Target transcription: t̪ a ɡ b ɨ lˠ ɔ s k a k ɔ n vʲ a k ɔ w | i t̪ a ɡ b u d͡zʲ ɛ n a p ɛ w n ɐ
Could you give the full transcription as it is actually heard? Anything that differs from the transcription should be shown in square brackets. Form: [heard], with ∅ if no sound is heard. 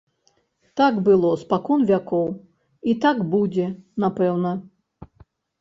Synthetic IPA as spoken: t̪ a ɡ b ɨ lˠ ɔ s [p] a k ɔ n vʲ a k ɔ w | i t̪ a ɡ b u d͡zʲ ɛ n a p ɛ w n ɐ

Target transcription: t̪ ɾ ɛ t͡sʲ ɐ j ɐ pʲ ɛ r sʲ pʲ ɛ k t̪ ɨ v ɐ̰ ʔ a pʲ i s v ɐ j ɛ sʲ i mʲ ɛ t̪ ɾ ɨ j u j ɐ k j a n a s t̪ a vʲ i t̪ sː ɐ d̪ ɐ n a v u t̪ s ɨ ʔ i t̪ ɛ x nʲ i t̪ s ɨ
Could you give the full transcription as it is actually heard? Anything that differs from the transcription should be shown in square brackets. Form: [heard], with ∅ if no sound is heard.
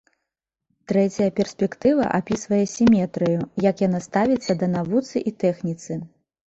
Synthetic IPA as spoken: t̪ ɾ ɛ t͡sʲ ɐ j ɐ pʲ ɛ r sʲ pʲ ɛ k t̪ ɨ v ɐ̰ ʔ a pʲ i s v ɐ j ɛ sʲ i mʲ ɛ t̪ ɾ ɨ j u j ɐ k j a n a s t̪ a vʲ i t̪ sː ɐ d̪ ɐ n a v u t̪ s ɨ ʔ i t̪ ɛ x nʲ i t̪ s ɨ

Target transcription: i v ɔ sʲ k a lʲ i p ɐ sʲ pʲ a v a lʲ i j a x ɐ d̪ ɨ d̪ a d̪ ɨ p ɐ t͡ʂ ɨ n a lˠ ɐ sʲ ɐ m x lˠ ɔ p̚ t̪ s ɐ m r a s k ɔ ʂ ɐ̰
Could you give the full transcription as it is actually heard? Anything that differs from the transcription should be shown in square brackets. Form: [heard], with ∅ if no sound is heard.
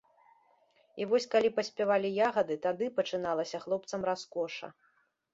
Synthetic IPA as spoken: i v ɔ sʲ k a lʲ i p ɐ sʲ pʲ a v a lʲ i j a [ɣ] ɐ d̪ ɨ [t̪] a d̪ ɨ p ɐ t͡ʂ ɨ n a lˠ ɐ sʲ ɐ [∅] x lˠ ɔ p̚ t̪ s ɐ m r a s k ɔ ʂ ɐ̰

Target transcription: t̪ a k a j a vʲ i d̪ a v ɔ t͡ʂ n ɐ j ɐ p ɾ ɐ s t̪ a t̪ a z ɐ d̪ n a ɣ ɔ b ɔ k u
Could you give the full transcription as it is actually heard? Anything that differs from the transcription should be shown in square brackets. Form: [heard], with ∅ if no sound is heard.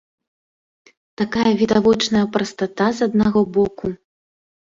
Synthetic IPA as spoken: t̪ a k a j [ɐ] vʲ i d̪ a v ɔ t͡ʂ n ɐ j ɐ p ɾ ɐ s t̪ a t̪ a z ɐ d̪ n a ɣ ɔ b ɔ k u

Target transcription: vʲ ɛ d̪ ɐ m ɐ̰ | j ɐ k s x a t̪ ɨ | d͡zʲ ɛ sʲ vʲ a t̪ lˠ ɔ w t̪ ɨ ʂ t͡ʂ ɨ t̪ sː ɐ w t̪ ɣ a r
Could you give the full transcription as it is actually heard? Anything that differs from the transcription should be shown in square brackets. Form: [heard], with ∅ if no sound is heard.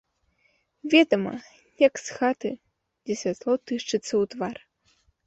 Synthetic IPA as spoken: vʲ ɛ d̪ ɐ m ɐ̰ | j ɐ k s x a t̪ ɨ | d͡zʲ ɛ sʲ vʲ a t̪ lˠ ɔ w t̪ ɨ ʂ t͡ʂ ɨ t̪ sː ɐ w t̪ [v] a r

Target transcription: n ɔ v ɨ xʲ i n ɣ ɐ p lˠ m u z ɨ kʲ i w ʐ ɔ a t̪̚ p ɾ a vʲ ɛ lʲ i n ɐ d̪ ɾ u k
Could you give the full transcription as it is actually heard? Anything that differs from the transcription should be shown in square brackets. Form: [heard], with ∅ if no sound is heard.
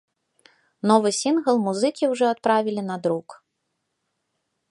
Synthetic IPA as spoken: n ɔ v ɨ [sʲ] i n ɣ ɐ [∅] lˠ m u z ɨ kʲ i w ʐ ɔ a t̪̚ p ɾ a vʲ [i] lʲ i n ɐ d̪ ɾ u k

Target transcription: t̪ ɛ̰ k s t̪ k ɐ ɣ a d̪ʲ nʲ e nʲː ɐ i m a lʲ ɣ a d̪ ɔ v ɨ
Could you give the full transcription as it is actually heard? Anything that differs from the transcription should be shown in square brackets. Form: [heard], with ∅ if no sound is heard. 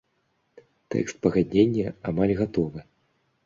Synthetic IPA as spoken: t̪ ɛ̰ k s t̪ [p] ɐ ɣ a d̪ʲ nʲ e nʲː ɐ [a] m a lʲ ɣ a [t̪] ɔ v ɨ

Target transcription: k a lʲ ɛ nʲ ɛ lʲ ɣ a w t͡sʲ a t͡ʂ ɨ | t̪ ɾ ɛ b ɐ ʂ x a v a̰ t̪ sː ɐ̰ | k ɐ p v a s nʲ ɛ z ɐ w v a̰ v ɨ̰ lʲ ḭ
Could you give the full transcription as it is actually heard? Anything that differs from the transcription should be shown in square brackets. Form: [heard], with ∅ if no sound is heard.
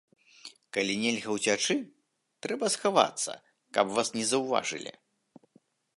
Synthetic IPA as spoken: k a lʲ [i] nʲ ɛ lʲ ɣ [ɐ] w t͡sʲ a t͡ʂ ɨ | t̪ ɾ ɛ b ɐ [s] x a v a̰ t̪ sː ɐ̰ | k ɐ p v a s nʲ ɛ z ɐ w v a̰ [ʐ] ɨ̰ lʲ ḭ

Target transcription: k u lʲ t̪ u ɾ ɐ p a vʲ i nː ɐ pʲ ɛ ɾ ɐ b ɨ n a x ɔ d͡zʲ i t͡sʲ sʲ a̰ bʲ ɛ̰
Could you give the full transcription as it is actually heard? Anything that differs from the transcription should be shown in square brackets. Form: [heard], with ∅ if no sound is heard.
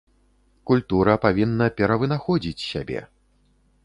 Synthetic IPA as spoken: k u lʲ t̪ u ɾ ɐ p a vʲ i nː ɐ pʲ ɛ ɾ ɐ [v] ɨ n a x ɔ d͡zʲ i t͡sʲ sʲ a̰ bʲ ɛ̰

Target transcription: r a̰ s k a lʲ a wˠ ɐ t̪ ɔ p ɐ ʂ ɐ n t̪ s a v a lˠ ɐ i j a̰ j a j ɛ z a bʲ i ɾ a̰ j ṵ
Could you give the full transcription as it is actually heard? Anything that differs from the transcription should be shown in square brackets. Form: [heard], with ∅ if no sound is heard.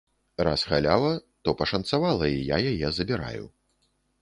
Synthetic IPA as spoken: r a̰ s [x] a lʲ a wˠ ɐ t̪ ɔ p ɐ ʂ ɐ n t̪ s a v a lˠ ɐ i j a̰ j a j ɛ z [ɐ] bʲ i ɾ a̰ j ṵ

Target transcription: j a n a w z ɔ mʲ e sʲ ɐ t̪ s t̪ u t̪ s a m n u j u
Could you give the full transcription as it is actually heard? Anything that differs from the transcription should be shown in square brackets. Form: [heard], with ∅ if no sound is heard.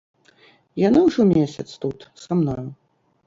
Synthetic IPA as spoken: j a n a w [ʐ] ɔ mʲ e sʲ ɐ t̪ s t̪ u t̪ s a m n [ɔ] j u

